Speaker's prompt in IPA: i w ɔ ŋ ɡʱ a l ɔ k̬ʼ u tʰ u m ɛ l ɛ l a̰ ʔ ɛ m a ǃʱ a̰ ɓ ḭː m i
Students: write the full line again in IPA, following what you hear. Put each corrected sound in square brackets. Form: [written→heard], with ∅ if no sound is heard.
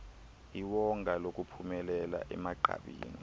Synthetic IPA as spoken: i w ɔ ŋ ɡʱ a l [ɔ→o] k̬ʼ u [tʰ→pʰ] u m ɛ l ɛ l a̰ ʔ ɛ m a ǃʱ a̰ ɓ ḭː [m→n] i